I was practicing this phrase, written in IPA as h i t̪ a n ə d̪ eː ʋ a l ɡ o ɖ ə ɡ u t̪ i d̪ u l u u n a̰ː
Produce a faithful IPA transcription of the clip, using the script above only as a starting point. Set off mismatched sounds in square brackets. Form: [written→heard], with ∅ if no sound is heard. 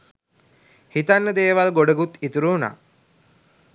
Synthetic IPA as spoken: h i t̪ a [n→nː] ə d̪ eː ʋ a l ɡ o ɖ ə ɡ u t̪ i [d̪→t̪] u [l→ɾ] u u n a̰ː